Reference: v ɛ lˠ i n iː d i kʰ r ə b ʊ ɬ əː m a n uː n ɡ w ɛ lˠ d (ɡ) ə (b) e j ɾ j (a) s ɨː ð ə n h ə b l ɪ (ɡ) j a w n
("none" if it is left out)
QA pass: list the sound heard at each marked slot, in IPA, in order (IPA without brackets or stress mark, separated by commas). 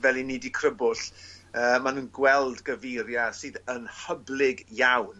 ɡ, v, a, ɡ